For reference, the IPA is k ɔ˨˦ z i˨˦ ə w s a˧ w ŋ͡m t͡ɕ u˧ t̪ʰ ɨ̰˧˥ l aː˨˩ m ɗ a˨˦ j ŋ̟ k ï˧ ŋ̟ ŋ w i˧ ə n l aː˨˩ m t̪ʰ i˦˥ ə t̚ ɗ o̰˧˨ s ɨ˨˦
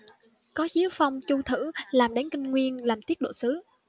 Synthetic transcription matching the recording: k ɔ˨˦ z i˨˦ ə w f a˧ w ŋ͡m t͡ɕ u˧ t̪ʰ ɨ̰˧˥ l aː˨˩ m ɗ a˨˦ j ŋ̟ k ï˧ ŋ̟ ŋ w i˧ ə n l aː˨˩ m t̪ i˦˥ ə t̚ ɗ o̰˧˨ s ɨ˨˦